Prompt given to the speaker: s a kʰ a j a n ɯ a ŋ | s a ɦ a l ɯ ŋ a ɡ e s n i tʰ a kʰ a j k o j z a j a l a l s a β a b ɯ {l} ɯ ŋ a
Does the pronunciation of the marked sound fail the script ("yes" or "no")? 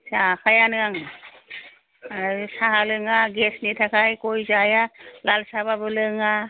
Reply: no